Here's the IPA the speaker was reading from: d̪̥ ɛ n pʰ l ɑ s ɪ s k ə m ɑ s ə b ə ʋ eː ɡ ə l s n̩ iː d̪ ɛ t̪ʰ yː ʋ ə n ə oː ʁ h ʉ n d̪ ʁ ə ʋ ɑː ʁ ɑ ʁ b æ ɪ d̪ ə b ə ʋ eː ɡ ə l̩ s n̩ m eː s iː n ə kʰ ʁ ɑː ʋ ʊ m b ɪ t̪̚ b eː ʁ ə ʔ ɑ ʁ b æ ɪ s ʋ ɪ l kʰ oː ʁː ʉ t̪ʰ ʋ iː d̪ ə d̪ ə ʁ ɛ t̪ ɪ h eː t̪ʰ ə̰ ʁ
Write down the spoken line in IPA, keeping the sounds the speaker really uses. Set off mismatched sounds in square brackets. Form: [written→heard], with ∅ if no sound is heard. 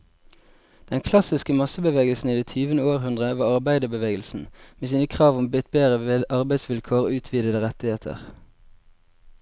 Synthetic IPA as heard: d̪̥ ɛ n [pʰ→kʰ] l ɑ s ɪ s k ə m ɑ s ə b ə ʋ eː ɡ ə l s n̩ iː d̪ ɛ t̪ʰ yː ʋ ə n ə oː ʁ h ʉ n d̪ ʁ ə ʋ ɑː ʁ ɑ ʁ b æ ɪ d̪ ə b ə ʋ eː ɡ ə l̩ s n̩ m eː s iː n ə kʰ ʁ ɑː ʋ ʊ m b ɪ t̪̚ b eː ʁ ə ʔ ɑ ʁ b æ ɪ s ʋ ɪ l kʰ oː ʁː [ʉ→ʉː] t̪ʰ ʋ iː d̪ ə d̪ ə ʁ ɛ t̪ ɪ h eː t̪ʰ ə̰ ʁ